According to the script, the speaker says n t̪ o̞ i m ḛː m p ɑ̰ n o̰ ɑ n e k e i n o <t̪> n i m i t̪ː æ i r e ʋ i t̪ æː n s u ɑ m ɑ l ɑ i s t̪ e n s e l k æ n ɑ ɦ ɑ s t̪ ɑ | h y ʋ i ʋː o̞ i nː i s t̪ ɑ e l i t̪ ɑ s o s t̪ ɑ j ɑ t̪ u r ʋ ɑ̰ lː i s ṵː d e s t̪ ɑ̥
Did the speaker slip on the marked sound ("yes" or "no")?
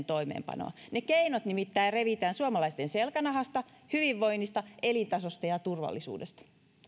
no